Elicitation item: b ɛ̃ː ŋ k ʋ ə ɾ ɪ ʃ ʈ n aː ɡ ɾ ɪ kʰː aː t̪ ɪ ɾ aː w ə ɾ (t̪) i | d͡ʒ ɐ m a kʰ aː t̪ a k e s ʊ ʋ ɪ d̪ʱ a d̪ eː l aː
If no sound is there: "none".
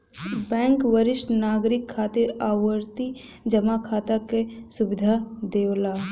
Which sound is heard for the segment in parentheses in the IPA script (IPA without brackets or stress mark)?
t̪